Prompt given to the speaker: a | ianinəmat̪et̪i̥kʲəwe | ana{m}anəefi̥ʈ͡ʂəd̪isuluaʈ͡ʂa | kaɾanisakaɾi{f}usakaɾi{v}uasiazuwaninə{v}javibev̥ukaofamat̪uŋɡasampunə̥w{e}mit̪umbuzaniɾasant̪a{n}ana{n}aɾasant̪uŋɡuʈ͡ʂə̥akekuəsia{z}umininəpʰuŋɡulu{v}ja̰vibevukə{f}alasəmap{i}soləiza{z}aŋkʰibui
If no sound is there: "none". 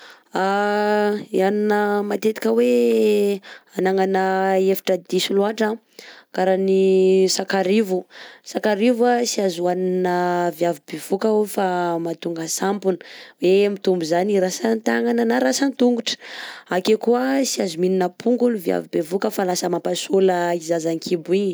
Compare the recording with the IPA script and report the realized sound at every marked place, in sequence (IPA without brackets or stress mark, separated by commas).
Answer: ŋ, v, v, v, e, ŋ, n, z, v, f, a, z